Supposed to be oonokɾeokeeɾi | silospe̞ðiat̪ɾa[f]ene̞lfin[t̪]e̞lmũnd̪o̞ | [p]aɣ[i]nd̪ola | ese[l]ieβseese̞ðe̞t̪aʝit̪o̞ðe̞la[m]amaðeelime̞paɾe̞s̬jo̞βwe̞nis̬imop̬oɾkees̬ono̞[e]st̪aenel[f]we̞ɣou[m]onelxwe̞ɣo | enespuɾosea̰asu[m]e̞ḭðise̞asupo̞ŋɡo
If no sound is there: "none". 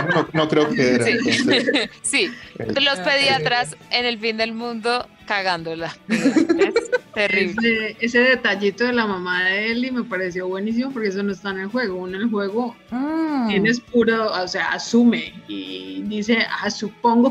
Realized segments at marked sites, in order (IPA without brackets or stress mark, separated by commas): s, d̪, k, a, r, m, e, x, n, m